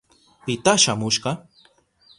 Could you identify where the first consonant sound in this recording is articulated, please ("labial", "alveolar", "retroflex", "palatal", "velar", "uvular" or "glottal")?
labial